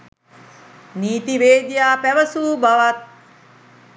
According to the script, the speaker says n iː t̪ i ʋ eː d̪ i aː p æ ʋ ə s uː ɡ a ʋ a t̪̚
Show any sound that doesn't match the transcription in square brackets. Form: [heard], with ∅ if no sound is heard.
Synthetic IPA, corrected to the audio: n iː t̪ i ʋ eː d̪ [j] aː p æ ʋ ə s uː [b] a ʋ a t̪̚